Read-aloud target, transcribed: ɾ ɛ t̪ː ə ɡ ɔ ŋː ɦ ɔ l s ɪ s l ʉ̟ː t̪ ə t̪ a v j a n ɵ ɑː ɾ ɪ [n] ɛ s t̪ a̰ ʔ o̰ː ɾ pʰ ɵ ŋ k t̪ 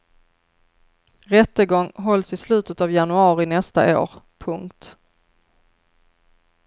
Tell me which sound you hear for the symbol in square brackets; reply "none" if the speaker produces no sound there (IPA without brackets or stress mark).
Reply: n